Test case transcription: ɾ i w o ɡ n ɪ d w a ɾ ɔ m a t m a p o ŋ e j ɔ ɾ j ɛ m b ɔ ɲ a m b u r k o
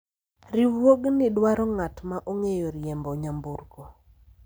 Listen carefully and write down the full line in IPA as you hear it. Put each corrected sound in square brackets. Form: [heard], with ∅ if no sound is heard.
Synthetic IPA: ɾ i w o ɡ n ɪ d w a ɾ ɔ [ŋ] a t m a [ʔ] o ŋ e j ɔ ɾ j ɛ m b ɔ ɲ a m b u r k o